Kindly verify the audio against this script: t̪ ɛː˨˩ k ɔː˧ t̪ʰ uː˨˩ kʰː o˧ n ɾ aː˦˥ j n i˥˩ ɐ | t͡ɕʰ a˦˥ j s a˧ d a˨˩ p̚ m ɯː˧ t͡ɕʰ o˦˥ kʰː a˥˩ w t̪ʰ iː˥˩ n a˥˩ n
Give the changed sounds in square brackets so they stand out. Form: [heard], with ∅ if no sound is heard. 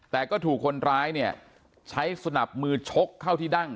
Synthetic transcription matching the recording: t̪ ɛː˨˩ k [ɔː˥˩] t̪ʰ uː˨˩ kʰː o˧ n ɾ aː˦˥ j n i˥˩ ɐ | t͡ɕʰ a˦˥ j s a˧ [n] a˨˩ p̚ m ɯː˧ t͡ɕʰ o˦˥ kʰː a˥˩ w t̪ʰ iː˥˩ [d] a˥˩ [ŋ]